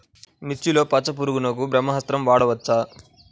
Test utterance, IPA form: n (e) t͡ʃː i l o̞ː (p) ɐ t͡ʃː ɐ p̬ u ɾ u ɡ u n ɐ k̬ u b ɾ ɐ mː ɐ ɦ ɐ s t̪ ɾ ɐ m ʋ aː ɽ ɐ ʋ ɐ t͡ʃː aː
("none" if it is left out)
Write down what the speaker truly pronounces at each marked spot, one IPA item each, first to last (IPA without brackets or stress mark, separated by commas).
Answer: i, p